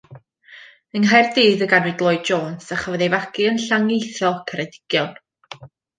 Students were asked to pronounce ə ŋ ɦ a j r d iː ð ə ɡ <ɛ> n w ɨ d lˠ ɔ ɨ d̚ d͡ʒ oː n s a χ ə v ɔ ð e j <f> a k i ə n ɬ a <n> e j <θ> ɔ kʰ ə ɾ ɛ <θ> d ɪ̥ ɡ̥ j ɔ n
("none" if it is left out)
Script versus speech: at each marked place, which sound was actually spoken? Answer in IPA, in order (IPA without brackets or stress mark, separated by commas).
a, v, ŋ, θ, none